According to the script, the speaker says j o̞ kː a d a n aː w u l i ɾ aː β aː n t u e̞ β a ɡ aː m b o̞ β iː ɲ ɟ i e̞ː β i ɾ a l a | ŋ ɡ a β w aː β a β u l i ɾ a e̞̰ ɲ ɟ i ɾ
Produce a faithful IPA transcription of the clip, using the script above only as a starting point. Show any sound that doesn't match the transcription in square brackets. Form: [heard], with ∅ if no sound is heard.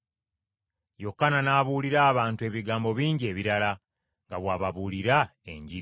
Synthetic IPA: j o̞ kː a [n] a n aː [β] u l i ɾ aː β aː n t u e̞ β [i] ɡ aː m b o̞ β iː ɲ ɟ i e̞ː β i ɾ a l a | ŋ ɡ a β w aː β a β u l i ɾ a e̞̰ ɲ ɟ i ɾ